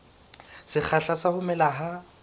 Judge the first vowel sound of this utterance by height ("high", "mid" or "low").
high